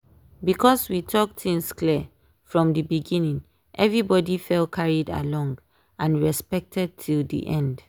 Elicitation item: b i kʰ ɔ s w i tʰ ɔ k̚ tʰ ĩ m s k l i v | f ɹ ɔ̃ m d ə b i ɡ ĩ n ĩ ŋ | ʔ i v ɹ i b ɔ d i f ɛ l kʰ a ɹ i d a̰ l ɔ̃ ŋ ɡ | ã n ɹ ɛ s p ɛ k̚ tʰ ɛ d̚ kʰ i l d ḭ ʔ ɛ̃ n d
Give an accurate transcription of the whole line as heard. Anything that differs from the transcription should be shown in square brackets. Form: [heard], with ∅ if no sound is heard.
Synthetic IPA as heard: b i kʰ ɔ s w i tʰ ɔ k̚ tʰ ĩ [ŋ] s k l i [∅] | f ɹ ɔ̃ m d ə b i ɡ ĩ n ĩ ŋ | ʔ [ɛ] v ɹ i b ɔ d i f ɛ l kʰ a ɹ i d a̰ l ɔ̃ ŋ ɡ | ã n ɹ ɛ s p ɛ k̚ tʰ ɛ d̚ [tʰ] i l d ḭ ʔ ɛ̃ n d